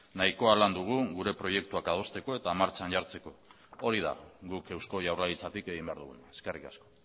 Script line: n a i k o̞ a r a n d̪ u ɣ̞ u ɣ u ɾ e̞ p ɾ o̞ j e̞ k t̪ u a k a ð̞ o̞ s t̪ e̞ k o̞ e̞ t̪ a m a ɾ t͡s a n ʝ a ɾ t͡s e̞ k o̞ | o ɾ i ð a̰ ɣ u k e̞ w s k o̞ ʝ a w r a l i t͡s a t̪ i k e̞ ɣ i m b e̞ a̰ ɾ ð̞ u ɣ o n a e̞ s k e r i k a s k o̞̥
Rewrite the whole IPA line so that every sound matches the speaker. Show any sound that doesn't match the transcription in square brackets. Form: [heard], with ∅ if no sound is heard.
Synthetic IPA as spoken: n a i k o̞ a [l] a n d̪ u ɣ̞ u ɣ u ɾ e̞ p ɾ o̞ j e̞ k t̪ u a k a ð̞ o̞ s t̪ e̞ k o̞ e̞ t̪ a m a ɾ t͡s a n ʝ a ɾ t͡s e̞ k o̞ | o ɾ i ð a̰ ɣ u k e̞ w s k o̞ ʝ a w r a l i t͡s a t̪ i k e̞ ɣ i m b e̞ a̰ ɾ ð̞ u ɣ [u] n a e̞ s k e r i k a s k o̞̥

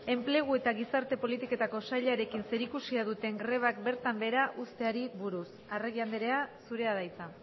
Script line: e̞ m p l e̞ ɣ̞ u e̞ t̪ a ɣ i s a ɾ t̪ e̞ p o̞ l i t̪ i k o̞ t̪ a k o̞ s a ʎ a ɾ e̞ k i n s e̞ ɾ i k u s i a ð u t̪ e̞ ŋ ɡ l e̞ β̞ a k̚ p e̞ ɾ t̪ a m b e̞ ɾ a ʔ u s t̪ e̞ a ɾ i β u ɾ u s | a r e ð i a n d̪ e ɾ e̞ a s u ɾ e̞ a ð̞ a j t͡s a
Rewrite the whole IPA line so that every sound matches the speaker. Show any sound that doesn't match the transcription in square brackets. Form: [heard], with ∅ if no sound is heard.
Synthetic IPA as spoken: e̞ m p l e̞ ɣ̞ u e̞ t̪ a ɣ i s a ɾ t̪ e̞ p o̞ l i t̪ i k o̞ t̪ a k o̞ s a ʎ a ɾ e̞ k i n s e̞ ɾ i k u s i a ð u t̪ e̞ ŋ ɡ [ɾ] e̞ β̞ a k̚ [b] e̞ ɾ t̪ a m b e̞ ɾ a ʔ u s t̪ e̞ a ɾ i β u ɾ u s | a r e [ɣ] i a n d̪ e ɾ e̞ a s u ɾ e̞ a ð̞ a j t͡s a

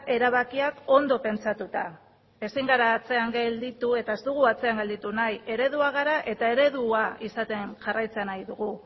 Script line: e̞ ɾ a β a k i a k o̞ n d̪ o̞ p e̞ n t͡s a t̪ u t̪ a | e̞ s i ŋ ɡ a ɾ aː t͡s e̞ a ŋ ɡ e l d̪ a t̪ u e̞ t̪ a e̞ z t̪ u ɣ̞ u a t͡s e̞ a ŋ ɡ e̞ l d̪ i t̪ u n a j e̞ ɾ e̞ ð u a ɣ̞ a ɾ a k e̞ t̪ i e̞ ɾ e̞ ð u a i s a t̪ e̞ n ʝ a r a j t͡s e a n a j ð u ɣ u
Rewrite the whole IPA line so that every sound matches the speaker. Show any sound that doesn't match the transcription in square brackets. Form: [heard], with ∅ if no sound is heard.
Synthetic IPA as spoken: e̞ ɾ a β a k i a k o̞ n d̪ o̞ p e̞ n t͡s a t̪ u t̪ a | e̞ s i ŋ ɡ a ɾ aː t͡s e̞ a ŋ ɡ e l d̪ [i] t̪ u e̞ t̪ a e̞ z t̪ u ɣ̞ u a t͡s e̞ a ŋ ɡ e̞ l d̪ i t̪ u n a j e̞ ɾ e̞ ð u a ɣ̞ a ɾ a [ʔ] e̞ t̪ [a] e̞ ɾ e̞ ð u a i s a t̪ e̞ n ʝ a r a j t͡s e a n a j ð u ɣ u

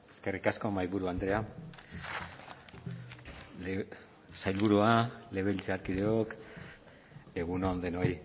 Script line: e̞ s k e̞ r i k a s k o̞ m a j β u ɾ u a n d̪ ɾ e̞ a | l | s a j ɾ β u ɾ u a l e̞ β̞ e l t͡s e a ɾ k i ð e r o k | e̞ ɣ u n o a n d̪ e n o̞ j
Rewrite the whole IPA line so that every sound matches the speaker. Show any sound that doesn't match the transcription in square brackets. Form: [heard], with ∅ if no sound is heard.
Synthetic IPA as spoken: e̞ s k e̞ r i k a s k o̞ m a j β u ɾ u a n d̪ ɾ e̞ a | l | s a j [l] β u ɾ u a l e̞ β̞ e l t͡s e a ɾ k i ð e [∅] o k | e̞ ɣ u n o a n d̪ e n o̞ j

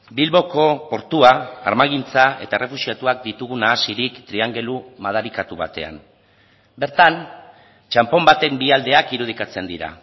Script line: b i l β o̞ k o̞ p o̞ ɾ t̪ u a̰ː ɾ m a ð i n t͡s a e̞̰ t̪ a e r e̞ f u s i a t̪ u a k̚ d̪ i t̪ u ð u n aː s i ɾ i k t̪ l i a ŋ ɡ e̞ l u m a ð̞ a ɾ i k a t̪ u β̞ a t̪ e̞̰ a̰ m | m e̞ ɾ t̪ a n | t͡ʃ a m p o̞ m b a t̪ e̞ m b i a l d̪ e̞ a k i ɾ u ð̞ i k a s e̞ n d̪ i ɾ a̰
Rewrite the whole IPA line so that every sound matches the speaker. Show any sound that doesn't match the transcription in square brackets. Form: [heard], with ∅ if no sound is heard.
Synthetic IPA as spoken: b i l β o̞ k o̞ p o̞ ɾ t̪ u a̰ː ɾ m a [ɣ] i n t͡s a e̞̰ t̪ a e r e̞ f u s i a t̪ u a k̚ d̪ i t̪ u [ɣ] u n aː s i ɾ i k t̪ [ɾ] i a ŋ ɡ e̞ l u m a ð̞ a ɾ i k a t̪ u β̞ a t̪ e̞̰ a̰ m | [b] e̞ ɾ t̪ a n | t͡ʃ a m p o̞ m b a t̪ e̞ m b i a l d̪ e̞ a k i ɾ u ð̞ i k a [t͡s] e̞ n d̪ i ɾ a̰

